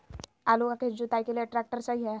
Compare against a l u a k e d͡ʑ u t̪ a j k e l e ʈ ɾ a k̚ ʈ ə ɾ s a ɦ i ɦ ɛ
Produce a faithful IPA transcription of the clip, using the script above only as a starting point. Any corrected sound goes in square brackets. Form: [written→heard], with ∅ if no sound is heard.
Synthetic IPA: a l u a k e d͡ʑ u t̪ a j k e l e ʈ ɾ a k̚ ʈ ə ɾ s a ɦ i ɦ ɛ